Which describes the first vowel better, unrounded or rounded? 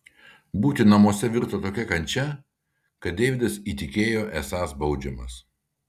rounded